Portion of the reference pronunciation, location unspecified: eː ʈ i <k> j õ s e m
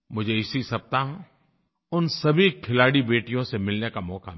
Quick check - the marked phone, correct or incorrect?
incorrect